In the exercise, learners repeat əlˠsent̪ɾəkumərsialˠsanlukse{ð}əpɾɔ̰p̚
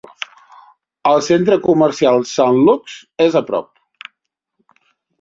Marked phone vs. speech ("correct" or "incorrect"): incorrect